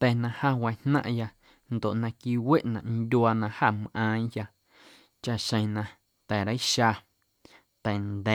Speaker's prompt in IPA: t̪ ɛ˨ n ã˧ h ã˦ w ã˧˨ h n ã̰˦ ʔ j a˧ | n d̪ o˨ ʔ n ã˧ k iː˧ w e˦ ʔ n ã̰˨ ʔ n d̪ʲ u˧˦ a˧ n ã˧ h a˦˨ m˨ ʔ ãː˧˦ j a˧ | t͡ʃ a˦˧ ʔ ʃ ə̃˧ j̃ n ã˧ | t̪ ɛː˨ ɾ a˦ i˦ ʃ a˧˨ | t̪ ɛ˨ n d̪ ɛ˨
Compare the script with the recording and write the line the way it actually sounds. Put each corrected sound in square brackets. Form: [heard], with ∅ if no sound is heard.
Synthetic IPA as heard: t̪ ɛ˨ n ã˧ h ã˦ w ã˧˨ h n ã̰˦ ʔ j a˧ | n d̪ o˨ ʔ n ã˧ k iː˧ w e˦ ʔ n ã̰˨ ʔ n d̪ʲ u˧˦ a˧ n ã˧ h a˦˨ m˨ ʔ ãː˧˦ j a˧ | t͡ʃ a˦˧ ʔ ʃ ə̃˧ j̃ n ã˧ | t̪ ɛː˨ ɾ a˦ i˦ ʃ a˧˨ | t̪ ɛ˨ n d̪ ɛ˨